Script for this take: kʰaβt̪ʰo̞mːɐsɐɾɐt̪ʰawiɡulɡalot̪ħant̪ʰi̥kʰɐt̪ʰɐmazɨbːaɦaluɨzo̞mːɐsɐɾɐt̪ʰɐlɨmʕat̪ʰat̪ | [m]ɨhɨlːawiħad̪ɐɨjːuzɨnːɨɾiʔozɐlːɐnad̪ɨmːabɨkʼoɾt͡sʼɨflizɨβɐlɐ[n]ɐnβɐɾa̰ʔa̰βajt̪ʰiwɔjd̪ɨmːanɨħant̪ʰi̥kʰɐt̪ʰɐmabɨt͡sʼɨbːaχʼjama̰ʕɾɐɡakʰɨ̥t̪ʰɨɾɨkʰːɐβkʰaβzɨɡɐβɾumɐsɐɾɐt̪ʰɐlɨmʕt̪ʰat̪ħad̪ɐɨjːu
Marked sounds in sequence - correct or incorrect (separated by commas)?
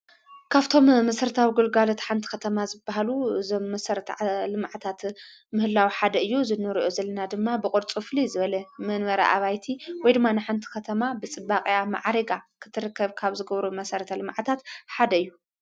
correct, incorrect